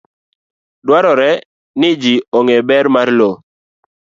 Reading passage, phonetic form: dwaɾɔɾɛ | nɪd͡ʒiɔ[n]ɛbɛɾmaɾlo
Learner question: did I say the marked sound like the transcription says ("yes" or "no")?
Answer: no